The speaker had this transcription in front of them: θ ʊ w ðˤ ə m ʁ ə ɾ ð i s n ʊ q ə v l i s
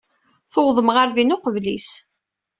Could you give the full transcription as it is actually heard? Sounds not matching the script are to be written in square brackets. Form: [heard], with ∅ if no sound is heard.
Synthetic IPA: θ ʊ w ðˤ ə m ʁ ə ɾ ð i [∅] n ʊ q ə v l i s